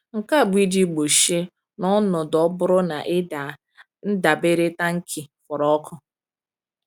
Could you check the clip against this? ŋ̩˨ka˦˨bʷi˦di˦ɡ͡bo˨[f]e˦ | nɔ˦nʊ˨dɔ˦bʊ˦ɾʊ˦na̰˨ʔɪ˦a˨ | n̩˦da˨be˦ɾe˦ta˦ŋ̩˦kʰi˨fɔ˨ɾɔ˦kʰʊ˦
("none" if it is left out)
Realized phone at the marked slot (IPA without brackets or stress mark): ʃ